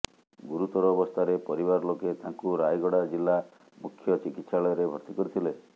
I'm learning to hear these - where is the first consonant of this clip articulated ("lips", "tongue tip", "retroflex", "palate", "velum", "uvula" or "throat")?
velum